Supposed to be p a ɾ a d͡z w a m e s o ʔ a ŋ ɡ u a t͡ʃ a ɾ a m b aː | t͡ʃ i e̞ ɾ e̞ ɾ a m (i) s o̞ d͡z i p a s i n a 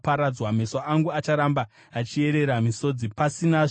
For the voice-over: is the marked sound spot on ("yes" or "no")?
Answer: yes